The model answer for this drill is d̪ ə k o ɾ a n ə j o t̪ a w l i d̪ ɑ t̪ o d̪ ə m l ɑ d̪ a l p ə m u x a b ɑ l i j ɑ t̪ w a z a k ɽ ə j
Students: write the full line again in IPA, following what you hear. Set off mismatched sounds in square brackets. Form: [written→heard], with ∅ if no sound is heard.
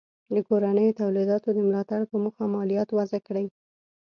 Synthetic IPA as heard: d̪ ə k o ɾ a n ə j o t̪ a w l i d̪ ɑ t̪ o d̪ ə m l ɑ [d̪→t̪] a [l→ɽ] p ə m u x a [b→m] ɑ l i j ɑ t̪ w a z a k ɽ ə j